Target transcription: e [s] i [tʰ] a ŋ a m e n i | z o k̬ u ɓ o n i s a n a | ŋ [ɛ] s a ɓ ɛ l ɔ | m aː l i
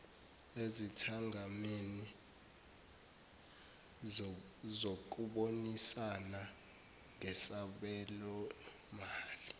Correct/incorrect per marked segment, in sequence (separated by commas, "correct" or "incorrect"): incorrect, correct, correct